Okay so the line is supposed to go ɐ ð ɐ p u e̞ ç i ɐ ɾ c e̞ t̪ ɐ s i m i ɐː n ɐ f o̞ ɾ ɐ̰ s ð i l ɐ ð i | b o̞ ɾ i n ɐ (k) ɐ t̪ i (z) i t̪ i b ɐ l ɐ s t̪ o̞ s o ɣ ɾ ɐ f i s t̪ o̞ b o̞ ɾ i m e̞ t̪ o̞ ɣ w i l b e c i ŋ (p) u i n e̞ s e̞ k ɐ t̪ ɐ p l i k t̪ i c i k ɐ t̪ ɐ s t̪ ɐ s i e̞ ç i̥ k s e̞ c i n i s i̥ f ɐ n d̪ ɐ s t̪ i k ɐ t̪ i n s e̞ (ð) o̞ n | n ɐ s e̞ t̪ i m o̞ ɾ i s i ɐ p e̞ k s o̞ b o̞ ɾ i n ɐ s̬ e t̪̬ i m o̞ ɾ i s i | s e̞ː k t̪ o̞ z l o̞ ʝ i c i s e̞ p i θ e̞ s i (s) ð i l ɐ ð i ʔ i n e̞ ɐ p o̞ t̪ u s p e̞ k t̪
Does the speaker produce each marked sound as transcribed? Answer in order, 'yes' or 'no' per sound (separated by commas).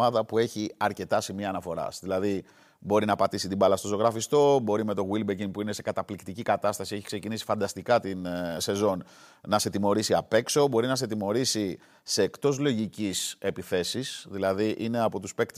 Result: no, no, yes, no, yes